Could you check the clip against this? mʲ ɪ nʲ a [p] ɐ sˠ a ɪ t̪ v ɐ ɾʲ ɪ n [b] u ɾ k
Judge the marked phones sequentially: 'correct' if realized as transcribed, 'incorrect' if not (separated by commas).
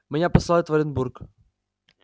correct, correct